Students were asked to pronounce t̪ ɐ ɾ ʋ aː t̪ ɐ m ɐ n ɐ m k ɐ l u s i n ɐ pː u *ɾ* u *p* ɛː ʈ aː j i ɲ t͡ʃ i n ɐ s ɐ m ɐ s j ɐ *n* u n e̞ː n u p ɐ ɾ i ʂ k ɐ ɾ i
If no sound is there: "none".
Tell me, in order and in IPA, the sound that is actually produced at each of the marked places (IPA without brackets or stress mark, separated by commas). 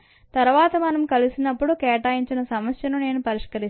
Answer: ɽ, k, n